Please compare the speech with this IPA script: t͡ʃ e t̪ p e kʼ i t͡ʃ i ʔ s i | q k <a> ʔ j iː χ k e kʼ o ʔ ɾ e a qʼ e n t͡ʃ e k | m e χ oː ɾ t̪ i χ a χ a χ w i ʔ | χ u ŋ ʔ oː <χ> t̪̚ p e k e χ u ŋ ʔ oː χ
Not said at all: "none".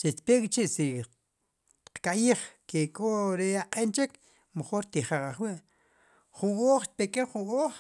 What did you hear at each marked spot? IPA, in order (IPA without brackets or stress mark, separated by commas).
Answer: a, χ